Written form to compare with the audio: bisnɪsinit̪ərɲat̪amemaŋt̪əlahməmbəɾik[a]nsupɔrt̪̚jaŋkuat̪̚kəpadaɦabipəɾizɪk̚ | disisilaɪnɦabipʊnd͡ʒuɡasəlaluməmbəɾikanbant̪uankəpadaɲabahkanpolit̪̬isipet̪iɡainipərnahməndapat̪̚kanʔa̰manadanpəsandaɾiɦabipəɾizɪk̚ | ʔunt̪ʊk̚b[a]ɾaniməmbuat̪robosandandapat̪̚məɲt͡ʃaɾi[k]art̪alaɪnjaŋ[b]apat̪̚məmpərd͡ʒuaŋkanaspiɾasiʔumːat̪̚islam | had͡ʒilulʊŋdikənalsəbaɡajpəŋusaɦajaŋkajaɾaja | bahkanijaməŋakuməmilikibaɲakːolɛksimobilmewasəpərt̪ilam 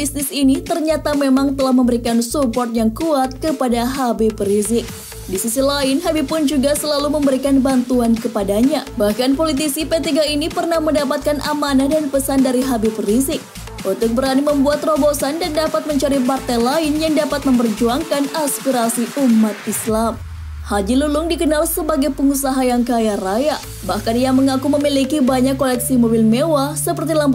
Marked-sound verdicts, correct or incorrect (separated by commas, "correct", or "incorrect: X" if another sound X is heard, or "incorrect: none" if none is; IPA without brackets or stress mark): correct, incorrect: ə, incorrect: p, incorrect: d